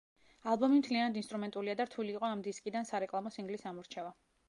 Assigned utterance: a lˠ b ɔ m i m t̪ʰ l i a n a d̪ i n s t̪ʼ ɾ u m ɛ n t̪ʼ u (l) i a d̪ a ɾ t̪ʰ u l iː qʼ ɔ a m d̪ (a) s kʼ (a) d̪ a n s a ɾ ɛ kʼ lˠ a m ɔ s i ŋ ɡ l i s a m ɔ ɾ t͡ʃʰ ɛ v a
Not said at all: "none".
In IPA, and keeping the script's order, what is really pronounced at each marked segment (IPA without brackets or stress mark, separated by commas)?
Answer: l, i, i